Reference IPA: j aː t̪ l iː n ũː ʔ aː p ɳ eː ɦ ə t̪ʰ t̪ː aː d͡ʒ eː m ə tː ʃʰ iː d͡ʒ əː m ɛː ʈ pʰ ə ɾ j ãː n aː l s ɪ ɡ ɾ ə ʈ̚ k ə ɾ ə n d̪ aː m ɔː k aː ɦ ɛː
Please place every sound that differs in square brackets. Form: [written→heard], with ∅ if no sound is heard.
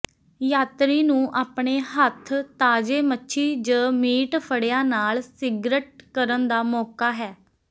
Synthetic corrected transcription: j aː t̪ [l→ɾ] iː n ũː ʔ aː p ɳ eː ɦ ə t̪ʰ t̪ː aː d͡ʒ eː m ə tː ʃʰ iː d͡ʒ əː m [ɛː→iː] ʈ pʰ ə [ɾ→ɽ] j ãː n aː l s ɪ ɡ ɾ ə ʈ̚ k ə ɾ ə n d̪ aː m ɔː k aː ɦ ɛː